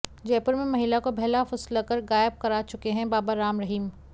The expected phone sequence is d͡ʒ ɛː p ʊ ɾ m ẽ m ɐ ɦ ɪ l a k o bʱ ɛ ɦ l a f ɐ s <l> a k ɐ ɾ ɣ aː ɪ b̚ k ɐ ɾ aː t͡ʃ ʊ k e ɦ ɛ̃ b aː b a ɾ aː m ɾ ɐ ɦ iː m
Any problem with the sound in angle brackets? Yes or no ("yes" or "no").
no